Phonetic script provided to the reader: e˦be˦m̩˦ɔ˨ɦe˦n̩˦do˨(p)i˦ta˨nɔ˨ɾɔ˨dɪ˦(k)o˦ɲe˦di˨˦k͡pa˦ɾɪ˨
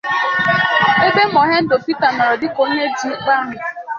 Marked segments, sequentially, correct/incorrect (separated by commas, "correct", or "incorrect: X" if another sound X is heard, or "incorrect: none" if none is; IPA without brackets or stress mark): correct, correct